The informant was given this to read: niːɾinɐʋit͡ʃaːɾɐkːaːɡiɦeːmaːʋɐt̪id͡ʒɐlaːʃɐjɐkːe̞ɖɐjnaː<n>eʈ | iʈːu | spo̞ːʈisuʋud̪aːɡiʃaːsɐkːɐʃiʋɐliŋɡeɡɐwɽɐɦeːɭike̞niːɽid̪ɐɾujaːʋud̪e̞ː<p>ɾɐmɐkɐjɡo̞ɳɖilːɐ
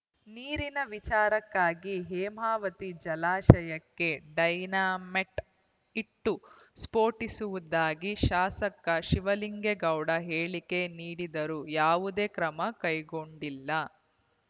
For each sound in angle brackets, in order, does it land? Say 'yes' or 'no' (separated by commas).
no, no